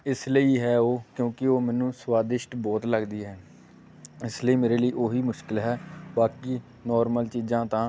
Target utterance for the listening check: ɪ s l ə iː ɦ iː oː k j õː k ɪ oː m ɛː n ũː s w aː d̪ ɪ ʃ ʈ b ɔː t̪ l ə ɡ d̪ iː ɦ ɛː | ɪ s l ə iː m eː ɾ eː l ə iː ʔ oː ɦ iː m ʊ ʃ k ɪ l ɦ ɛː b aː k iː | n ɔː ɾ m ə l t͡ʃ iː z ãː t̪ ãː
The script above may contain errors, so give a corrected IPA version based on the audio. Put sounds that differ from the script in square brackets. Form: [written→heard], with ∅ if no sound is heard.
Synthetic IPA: ɪ s l ə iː ɦ [iː→ɛː] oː k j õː k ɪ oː m ɛː n ũː s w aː d̪ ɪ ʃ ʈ b ɔː t̪ l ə ɡ d̪ iː ɦ ɛː | ɪ s l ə iː m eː ɾ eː l ə iː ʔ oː ɦ iː m ʊ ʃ k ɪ l ɦ ɛː b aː k iː | n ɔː ɾ m ə l t͡ʃ iː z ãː t̪ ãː